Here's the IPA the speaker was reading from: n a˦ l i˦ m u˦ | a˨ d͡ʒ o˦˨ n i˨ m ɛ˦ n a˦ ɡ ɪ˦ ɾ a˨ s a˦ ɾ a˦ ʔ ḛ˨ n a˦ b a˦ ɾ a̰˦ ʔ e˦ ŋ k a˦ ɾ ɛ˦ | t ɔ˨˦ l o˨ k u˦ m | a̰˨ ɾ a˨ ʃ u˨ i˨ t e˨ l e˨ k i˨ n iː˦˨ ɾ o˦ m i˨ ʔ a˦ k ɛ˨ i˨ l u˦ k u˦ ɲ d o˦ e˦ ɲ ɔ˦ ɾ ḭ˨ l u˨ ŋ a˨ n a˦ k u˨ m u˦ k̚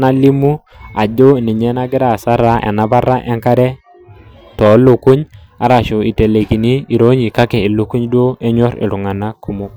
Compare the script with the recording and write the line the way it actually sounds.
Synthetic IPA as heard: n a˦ l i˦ m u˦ | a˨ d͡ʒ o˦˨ n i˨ ɲ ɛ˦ n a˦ ɡ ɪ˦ ɾ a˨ s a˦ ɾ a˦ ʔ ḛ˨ n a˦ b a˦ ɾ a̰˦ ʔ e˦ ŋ k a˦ ɾ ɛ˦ | t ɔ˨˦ l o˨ k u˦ ɲ | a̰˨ ɾ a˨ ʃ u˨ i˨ t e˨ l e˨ k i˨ n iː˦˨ ɾ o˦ ɲ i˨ k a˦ k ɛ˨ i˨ l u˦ k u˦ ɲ d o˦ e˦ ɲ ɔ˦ ɾ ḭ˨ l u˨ ŋ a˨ n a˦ k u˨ m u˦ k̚